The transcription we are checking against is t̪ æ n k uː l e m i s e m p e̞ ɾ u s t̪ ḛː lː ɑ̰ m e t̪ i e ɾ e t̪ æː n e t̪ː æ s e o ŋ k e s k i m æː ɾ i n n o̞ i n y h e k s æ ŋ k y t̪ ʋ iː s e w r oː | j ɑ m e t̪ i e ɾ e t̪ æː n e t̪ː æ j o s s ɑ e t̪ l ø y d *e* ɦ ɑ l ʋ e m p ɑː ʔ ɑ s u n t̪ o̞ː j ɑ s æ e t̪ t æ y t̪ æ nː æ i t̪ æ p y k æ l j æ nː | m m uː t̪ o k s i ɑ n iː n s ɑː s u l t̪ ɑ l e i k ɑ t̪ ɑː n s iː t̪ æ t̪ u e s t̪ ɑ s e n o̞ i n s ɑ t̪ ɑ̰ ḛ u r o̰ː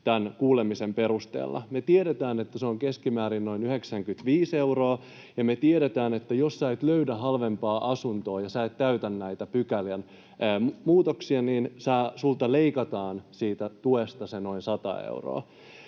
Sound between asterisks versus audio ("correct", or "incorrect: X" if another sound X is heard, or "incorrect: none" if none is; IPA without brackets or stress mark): incorrect: æ